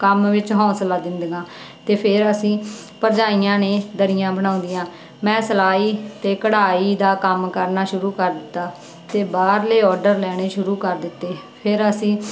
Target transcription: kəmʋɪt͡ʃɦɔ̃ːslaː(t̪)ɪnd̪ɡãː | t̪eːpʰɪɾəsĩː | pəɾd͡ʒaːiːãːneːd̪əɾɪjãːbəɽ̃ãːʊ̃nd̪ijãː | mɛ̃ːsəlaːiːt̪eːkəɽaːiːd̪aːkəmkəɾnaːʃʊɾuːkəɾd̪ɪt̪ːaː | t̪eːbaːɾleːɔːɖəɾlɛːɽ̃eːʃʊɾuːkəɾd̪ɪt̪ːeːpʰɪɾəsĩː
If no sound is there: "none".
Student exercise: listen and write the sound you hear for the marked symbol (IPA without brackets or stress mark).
d̪